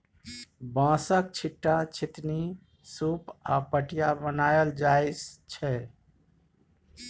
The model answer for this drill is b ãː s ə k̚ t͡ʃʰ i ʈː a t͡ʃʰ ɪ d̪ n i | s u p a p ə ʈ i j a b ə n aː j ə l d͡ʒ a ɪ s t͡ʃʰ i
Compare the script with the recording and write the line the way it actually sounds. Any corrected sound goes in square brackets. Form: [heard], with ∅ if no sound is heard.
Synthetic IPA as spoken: b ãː s ə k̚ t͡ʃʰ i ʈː a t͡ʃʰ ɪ [t̪] n i | s u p a p ə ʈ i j a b ə n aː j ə l d͡ʒ a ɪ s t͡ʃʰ [ɛ]